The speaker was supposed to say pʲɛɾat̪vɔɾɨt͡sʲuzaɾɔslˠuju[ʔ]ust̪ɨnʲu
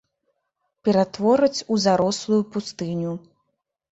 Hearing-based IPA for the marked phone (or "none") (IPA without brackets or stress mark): p